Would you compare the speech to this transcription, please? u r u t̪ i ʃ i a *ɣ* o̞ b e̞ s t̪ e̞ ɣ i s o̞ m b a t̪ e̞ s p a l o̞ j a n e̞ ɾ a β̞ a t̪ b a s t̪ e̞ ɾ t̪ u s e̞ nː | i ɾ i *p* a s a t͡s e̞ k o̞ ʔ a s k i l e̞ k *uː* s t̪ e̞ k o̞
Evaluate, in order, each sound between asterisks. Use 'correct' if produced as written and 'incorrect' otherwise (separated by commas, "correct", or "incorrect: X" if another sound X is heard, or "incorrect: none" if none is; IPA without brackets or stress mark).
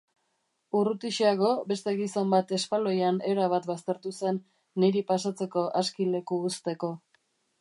correct, correct, correct